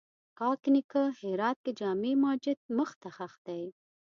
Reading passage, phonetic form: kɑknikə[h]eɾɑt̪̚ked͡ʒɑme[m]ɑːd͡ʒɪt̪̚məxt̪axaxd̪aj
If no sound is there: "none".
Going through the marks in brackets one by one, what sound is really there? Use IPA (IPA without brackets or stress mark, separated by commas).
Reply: h, m